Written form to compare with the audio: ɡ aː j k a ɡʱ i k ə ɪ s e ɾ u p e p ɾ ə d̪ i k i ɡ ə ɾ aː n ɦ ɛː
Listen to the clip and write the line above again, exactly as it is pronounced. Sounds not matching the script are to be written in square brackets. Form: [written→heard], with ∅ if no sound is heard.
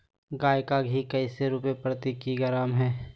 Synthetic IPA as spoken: ɡ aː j k a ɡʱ i k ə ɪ s e ɾ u p e p ɾ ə [d̪→t̪] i k i ɡ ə ɾ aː [n→m] ɦ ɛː